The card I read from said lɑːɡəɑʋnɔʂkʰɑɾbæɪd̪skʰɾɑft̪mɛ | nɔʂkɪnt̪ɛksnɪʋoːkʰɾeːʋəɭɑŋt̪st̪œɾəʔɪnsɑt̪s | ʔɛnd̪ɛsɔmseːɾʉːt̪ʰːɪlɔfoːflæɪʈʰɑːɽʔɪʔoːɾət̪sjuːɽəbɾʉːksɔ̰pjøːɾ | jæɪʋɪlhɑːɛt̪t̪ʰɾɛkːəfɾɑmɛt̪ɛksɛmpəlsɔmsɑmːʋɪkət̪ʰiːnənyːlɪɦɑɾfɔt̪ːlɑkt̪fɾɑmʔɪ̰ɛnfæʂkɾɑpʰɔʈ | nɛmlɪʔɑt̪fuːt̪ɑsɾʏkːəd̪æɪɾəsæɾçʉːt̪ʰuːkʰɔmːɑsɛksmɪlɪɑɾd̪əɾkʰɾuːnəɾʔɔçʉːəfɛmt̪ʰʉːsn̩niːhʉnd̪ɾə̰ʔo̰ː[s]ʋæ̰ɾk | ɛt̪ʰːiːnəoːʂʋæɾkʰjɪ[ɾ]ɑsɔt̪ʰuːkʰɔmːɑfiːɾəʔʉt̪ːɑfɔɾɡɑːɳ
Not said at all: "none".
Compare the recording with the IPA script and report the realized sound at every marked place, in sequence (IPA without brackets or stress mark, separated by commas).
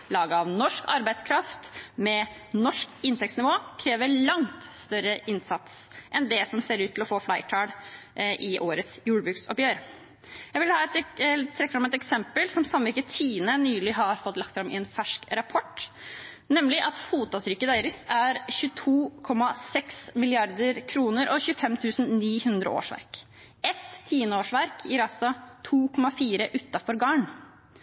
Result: ʂ, ɾ